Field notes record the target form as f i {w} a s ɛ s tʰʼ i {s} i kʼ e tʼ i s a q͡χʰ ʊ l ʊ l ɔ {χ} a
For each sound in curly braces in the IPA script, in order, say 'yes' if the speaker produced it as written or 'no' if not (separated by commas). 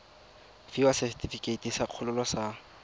yes, no, no